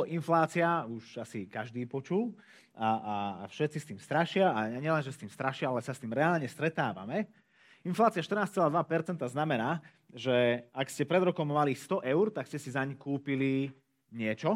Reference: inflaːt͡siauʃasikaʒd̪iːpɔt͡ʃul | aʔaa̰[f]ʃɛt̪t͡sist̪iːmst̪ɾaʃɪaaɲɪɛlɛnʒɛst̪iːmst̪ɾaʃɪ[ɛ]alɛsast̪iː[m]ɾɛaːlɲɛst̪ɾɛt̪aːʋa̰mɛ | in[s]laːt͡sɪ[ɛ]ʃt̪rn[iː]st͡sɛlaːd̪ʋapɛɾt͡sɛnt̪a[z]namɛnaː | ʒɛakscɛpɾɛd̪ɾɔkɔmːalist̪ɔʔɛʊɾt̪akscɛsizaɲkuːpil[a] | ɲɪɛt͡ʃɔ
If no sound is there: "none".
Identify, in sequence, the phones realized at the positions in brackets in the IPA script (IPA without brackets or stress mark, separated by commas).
f, a, m, f, a, aː, z, i